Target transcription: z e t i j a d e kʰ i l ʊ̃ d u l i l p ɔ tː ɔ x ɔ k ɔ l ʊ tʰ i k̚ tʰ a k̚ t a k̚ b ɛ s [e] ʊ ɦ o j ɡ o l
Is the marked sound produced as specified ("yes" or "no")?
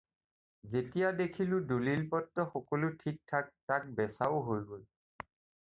no